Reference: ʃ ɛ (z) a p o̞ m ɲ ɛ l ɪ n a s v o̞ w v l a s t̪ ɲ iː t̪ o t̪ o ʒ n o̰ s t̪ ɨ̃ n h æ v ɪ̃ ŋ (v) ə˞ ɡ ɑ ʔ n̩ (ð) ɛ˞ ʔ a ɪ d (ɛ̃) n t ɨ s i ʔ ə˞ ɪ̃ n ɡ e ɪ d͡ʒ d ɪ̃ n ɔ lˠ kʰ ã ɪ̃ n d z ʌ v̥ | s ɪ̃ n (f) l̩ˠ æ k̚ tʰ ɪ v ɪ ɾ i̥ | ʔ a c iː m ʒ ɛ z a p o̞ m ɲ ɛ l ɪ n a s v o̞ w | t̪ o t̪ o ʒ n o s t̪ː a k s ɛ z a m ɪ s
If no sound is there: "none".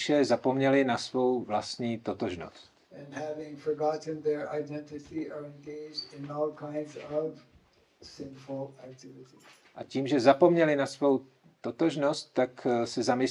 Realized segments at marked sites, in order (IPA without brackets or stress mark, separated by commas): z, f, ð, ɛ̃, f